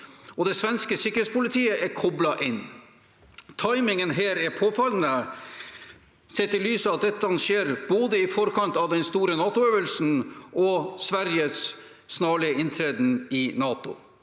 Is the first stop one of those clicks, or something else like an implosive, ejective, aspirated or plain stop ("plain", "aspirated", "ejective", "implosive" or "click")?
plain